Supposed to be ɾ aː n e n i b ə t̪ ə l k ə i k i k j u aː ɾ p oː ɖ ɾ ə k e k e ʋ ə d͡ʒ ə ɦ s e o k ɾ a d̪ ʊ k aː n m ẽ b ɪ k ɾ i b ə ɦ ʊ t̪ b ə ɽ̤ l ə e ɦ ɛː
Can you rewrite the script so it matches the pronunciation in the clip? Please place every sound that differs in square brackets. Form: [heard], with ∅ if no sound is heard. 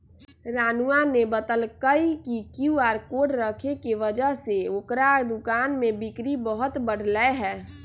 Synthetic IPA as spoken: ɾ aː n [a] n [e] b ə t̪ ə l k ə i k i k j u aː ɾ [k] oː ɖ ɾ ə [kʰ] e k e ʋ ə d͡ʒ ə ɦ s e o k ɾ a d̪ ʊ k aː n m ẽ b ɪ k ɾ i b ə ɦ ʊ t̪ b ə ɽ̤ l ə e ɦ ɛː